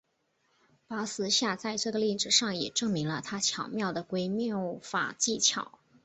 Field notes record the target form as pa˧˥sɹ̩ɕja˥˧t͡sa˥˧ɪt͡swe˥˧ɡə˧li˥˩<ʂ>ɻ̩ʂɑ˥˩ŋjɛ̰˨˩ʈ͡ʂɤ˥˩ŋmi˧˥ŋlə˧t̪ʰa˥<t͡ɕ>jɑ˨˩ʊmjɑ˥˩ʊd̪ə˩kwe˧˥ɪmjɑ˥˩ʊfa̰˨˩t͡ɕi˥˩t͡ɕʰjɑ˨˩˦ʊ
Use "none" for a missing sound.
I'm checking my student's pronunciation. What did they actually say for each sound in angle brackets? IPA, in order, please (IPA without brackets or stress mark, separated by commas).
ʈ͡ʂ, t͡ɕʰ